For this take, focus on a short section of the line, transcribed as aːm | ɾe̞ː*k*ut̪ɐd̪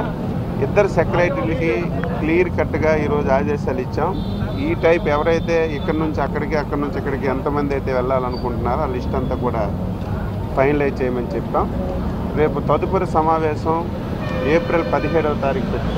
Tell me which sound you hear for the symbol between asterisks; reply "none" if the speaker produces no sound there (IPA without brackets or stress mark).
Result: p